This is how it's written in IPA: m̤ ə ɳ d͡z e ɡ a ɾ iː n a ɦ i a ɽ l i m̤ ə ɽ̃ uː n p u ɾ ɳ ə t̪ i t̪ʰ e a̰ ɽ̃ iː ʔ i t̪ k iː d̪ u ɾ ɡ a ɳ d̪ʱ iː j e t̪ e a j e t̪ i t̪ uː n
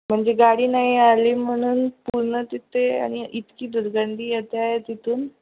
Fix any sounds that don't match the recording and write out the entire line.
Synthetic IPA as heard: m̤ ə ɳ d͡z e ɡ a ɽ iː n a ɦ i a l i m̤ ə ɽ̃ uː n p u ɾ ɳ ə t̪ i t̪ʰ e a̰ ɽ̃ i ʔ i t̪ k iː d̪ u ɾ ɡ a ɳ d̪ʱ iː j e t̪ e a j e t̪ i t̪ uː n